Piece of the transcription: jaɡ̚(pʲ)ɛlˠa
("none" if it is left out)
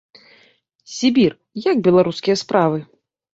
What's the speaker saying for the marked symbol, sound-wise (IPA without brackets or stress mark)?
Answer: bʲ